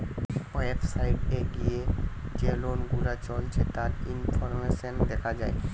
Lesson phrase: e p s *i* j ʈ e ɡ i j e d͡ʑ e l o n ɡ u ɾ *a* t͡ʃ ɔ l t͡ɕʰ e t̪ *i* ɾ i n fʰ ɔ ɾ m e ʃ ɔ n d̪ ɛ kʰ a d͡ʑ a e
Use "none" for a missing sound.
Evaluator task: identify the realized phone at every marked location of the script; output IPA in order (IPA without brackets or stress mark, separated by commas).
a, a, a